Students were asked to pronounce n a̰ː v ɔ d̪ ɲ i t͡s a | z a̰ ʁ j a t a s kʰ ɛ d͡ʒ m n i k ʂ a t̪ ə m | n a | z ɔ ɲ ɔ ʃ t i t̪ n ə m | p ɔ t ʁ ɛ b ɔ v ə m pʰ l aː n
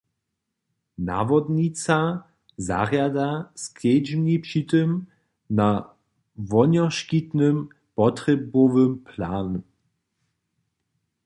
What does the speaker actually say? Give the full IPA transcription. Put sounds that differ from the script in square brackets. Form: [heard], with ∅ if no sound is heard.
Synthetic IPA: n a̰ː v ɔ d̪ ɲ i t͡s a | z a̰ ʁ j a [d] a s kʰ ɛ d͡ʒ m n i [p] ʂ [i] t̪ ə m | n a | [v] ɔ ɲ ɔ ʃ [k] i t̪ n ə m | p ɔ t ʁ ɛ b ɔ v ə m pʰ l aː n

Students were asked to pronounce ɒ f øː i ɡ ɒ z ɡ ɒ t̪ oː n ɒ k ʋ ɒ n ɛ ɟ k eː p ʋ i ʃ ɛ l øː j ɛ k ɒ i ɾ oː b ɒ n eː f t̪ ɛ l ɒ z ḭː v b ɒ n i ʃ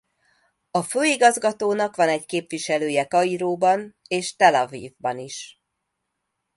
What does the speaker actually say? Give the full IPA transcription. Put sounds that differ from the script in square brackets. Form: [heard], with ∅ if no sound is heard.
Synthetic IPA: ɒ f øː i ɡ ɒ z ɡ ɒ t̪ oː n ɒ k ʋ ɒ n ɛ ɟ k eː p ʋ i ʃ ɛ l øː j ɛ k ɒ i ɾ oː b ɒ n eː [ʃ] t̪ ɛ l ɒ [v] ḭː v b ɒ n i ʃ

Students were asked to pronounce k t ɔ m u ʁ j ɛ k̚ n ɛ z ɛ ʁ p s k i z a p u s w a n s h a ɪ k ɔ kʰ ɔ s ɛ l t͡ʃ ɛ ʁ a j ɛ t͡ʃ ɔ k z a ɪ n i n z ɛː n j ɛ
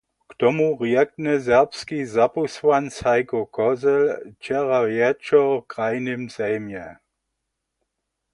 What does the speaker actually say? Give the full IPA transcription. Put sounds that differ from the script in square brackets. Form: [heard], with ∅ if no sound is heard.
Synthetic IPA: k t ɔ m u ʁ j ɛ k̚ n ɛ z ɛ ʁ p s k i z a p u s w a n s h a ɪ k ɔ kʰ ɔ [z] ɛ l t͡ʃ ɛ ʁ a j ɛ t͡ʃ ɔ k [ʁ] a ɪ n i [m] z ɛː [m] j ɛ

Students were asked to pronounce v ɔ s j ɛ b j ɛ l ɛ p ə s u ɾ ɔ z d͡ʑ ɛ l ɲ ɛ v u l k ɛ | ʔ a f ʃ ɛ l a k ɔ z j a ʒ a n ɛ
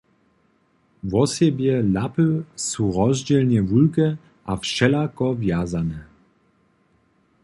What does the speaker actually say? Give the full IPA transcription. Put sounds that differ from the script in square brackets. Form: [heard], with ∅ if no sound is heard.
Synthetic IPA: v ɔ s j ɛ b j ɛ l [a] p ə s u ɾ ɔ z d͡ʑ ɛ l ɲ ɛ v u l k ɛ | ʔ a f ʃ ɛ l a k ɔ [v] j a [z] a n ɛ

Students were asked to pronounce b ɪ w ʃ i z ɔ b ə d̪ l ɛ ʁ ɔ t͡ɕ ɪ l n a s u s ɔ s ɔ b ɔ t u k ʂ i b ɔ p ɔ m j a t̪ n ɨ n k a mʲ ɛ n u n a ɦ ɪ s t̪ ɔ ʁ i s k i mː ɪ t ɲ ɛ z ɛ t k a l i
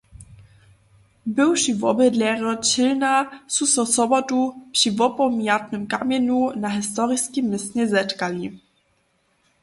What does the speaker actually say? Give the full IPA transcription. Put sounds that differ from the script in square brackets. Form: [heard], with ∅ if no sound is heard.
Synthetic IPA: b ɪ w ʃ i [v] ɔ b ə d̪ l ɛ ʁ ɔ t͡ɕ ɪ l n a s u s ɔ s ɔ b ɔ t u [p] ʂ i [v] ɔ p ɔ m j a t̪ n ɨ [m] k a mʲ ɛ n u n a ɦ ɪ s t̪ ɔ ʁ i s k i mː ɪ [s] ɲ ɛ z ɛ t k a l i

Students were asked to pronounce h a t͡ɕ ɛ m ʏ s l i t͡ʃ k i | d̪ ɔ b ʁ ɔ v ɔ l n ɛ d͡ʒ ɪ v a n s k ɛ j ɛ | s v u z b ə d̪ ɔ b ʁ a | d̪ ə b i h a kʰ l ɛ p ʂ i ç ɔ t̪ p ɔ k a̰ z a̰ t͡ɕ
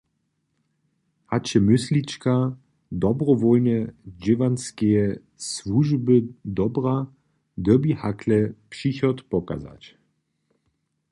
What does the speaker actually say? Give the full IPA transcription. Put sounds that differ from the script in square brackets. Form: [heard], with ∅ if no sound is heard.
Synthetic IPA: h a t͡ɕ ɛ m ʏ s l i t͡ʃ k [a] | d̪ ɔ b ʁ ɔ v ɔ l n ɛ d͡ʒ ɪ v a n s k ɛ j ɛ | s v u [ʒ] b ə d̪ ɔ b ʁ a | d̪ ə b i h a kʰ l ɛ p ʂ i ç ɔ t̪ p ɔ k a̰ z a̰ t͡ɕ

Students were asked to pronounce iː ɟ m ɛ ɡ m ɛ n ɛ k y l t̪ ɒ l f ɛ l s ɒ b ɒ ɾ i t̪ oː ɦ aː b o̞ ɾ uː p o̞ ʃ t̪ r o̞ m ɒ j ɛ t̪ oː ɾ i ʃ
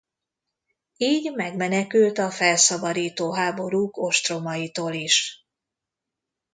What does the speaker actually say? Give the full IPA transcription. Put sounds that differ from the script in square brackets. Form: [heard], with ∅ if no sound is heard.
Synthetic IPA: iː ɟ m ɛ ɡ m ɛ n ɛ k y l t̪ ɒ [∅] f ɛ l s ɒ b ɒ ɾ [iː] t̪ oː ɦ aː b o̞ ɾ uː [k] o̞ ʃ t̪ r o̞ m ɒ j [i] t̪ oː [l] i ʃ

